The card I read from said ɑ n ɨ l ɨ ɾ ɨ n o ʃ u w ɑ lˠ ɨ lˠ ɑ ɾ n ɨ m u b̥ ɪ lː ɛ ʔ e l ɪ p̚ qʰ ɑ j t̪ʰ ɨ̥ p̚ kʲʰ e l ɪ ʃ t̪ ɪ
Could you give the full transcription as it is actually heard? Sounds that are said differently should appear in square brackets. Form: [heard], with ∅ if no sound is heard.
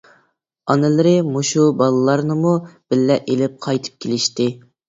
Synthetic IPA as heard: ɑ n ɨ l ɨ ɾ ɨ [m] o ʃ u [b] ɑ lˠ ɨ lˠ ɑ ɾ n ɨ m u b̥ ɪ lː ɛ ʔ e l ɪ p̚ qʰ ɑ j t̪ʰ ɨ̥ p̚ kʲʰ e l ɪ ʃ t̪ ɪ